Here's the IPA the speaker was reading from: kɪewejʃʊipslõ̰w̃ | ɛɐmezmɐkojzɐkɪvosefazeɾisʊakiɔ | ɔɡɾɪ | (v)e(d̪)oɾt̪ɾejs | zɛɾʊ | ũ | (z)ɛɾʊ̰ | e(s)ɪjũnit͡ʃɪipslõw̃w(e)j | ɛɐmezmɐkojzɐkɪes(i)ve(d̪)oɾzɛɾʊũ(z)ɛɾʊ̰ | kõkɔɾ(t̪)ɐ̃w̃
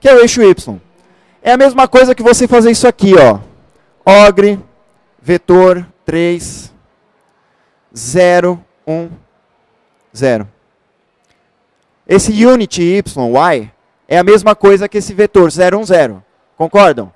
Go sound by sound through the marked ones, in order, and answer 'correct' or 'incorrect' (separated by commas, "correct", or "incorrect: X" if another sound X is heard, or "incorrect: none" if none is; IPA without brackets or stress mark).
correct, incorrect: t̪, correct, correct, incorrect: a, incorrect: ɪ, incorrect: t̪, correct, incorrect: d̪